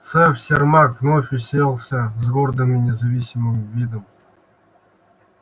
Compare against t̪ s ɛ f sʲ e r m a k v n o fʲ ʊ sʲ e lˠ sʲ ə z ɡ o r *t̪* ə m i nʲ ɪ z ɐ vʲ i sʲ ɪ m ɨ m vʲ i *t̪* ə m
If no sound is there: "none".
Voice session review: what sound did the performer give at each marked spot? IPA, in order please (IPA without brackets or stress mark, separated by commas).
d̪, d̪